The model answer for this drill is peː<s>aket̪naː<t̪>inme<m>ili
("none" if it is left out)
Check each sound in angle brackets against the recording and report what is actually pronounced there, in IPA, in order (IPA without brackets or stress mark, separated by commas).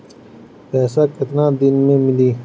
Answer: s, d̪, m